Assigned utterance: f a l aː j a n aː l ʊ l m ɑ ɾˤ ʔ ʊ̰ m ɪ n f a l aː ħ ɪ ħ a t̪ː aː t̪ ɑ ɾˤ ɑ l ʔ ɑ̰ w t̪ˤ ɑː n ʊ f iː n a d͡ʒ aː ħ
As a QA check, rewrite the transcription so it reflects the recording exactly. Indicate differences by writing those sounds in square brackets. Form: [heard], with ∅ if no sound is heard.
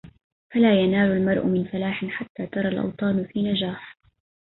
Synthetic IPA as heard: f a l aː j a n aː l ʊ l m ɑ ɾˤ ʔ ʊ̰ m ɪ n f a l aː ħ ɪ ħ a t̪ː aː t̪ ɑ ɾˤ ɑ l ʔ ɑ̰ w t̪ˤ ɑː n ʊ f iː n a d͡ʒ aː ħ